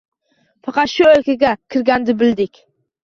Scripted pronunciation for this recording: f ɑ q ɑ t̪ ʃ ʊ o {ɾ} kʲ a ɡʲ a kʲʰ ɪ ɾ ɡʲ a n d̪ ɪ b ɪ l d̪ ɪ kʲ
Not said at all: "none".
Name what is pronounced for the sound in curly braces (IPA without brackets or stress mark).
l